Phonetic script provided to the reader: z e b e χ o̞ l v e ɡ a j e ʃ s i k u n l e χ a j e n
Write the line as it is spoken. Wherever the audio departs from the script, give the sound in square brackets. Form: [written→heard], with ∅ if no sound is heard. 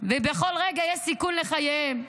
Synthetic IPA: [z→v] e b e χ o̞ l [v→ʁ] e ɡ a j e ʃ s i k u n l e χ a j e [n→m]